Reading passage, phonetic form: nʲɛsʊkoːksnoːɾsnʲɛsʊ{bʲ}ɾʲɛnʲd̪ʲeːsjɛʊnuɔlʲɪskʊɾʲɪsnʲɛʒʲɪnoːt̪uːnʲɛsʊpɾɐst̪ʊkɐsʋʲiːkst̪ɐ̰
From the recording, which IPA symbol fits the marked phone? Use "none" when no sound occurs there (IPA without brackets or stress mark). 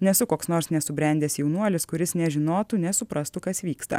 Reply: bʲ